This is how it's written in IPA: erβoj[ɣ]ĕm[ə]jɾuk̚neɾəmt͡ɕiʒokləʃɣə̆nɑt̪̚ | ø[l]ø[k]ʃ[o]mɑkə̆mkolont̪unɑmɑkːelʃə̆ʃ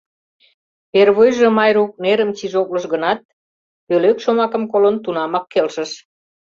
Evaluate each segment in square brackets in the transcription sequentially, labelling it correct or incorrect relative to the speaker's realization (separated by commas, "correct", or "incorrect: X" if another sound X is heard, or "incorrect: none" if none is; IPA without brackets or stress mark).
incorrect: ʒ, incorrect: ɑ, correct, correct, correct